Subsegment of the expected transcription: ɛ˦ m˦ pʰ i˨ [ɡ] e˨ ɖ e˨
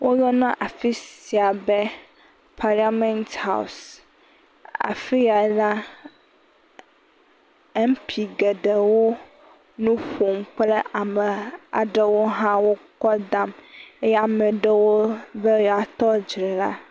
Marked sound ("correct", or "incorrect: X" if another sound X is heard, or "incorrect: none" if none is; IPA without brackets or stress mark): correct